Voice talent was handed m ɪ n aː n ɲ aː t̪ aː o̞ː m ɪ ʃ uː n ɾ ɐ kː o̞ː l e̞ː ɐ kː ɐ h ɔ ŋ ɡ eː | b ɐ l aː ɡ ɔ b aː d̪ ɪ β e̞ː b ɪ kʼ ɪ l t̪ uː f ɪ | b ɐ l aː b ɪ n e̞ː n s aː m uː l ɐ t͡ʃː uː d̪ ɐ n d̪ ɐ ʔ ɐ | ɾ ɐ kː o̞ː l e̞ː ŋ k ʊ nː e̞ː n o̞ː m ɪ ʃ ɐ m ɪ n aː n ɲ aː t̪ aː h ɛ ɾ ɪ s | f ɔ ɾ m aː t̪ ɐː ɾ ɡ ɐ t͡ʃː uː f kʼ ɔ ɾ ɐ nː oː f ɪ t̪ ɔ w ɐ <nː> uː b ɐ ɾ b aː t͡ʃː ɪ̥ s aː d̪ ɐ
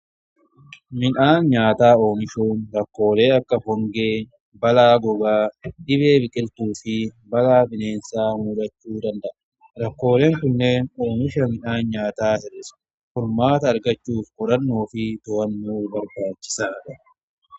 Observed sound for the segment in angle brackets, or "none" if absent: nː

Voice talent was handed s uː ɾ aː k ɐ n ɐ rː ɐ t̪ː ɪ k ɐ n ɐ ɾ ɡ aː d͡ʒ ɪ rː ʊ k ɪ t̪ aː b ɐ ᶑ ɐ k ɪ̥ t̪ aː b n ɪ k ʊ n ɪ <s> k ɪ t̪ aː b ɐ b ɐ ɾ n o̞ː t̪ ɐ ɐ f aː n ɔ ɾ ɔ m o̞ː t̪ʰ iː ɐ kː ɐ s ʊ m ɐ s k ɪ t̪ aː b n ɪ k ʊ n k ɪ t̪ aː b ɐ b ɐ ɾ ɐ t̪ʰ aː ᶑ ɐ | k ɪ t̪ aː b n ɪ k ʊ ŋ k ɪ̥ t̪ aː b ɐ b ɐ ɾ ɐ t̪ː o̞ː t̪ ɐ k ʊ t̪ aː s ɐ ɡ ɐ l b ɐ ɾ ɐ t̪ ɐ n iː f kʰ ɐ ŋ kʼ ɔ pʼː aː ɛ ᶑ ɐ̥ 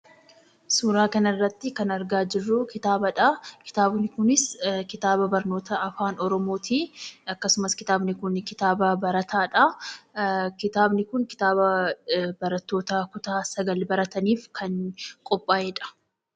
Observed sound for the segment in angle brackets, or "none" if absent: s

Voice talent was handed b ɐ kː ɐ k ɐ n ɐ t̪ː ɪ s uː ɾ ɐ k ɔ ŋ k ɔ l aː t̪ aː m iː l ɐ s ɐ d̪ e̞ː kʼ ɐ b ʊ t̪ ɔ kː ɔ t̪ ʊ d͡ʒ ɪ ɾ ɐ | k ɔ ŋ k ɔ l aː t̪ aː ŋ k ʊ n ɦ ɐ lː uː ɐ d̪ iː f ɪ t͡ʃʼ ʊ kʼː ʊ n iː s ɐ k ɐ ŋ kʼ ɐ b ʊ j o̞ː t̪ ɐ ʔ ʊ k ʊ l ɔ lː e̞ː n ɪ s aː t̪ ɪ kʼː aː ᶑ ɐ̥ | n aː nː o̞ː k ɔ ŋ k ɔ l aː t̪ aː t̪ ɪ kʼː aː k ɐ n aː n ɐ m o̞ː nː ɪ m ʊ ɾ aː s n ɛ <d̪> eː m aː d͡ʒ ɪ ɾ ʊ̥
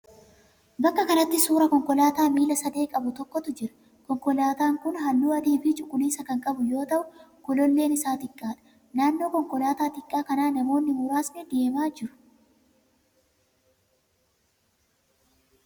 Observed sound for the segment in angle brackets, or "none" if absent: d̪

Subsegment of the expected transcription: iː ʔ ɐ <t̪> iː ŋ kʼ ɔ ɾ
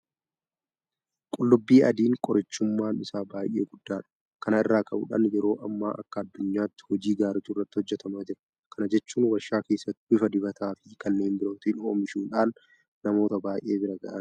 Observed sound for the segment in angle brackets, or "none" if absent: d̪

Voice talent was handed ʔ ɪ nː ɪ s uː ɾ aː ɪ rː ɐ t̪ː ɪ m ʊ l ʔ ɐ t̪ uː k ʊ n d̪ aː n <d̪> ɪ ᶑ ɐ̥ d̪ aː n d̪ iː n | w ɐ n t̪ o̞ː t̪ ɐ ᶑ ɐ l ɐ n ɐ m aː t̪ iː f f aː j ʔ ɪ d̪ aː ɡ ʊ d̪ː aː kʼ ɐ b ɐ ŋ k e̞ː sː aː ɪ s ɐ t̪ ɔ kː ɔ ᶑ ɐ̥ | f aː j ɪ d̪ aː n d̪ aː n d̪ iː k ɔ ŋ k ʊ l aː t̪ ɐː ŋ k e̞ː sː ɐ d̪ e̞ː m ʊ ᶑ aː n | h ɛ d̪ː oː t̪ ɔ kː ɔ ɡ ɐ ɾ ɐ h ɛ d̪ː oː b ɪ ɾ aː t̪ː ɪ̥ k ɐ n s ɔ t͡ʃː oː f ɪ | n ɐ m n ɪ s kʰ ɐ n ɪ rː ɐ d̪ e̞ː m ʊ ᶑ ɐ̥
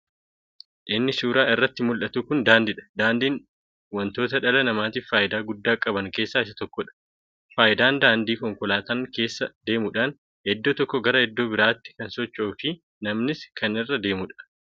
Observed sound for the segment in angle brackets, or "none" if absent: d̪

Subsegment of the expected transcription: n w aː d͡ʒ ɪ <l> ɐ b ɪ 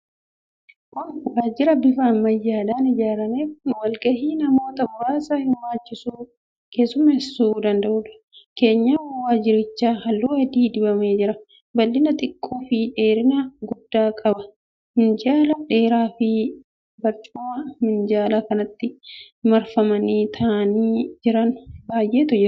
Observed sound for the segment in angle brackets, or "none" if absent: ɾ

